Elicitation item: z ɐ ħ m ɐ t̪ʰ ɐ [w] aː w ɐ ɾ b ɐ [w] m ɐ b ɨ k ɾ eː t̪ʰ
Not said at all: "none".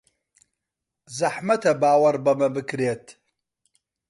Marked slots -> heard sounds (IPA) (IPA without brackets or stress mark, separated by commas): b, none